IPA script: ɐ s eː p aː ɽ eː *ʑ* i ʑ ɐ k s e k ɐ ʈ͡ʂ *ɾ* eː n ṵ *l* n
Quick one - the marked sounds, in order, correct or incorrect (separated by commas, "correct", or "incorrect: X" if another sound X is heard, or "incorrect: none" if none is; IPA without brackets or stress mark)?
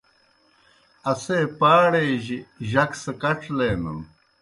correct, incorrect: l, incorrect: none